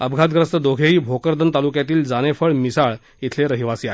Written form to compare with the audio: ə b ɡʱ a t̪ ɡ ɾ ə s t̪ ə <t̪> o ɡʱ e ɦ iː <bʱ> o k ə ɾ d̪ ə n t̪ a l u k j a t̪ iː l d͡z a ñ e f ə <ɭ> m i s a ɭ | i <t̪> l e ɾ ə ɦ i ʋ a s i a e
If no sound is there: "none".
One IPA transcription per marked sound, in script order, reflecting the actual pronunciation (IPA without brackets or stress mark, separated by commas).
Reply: d̪, bʱ, ɭ, t̪ʰ